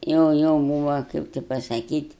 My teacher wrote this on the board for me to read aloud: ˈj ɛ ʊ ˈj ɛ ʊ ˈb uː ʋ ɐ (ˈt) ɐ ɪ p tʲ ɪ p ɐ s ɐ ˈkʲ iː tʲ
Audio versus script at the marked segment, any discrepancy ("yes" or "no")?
yes